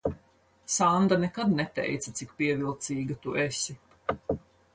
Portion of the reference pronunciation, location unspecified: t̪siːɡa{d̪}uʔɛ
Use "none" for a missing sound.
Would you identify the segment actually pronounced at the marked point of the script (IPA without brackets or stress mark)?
t̪